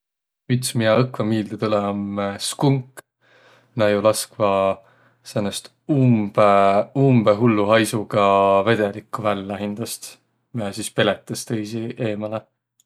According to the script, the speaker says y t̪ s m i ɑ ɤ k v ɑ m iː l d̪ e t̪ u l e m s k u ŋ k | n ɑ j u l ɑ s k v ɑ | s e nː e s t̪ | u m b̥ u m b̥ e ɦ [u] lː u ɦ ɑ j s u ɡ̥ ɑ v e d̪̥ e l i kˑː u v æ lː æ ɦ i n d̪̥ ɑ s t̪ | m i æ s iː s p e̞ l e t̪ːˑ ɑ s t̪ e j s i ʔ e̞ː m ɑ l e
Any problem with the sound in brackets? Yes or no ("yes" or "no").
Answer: no